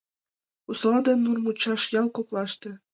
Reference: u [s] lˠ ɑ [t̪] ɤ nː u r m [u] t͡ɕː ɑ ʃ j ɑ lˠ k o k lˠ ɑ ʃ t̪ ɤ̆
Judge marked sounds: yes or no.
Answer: yes, no, yes

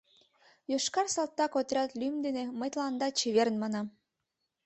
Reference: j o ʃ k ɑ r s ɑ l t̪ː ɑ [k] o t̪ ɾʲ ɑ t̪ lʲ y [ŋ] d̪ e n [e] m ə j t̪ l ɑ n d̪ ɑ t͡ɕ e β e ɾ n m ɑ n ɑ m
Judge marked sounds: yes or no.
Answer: yes, no, yes

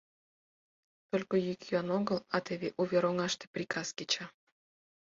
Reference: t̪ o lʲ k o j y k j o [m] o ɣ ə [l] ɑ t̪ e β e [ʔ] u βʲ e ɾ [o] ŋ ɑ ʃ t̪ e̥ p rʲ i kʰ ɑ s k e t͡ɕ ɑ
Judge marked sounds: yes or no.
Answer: no, yes, yes, yes

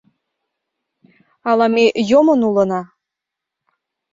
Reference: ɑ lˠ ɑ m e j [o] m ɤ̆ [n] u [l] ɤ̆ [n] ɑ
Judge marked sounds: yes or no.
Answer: yes, yes, yes, yes

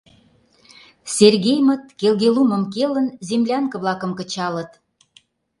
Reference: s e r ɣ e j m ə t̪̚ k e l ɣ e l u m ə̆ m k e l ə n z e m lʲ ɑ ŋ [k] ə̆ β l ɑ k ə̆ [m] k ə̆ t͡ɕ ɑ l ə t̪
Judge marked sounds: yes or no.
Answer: yes, yes

